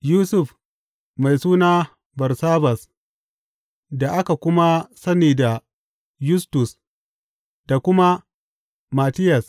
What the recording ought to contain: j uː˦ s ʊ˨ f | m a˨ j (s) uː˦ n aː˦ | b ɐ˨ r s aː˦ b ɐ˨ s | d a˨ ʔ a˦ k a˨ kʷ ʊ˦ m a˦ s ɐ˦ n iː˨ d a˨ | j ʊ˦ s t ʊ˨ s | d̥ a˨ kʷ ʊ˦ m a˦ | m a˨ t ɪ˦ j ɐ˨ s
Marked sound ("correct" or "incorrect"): correct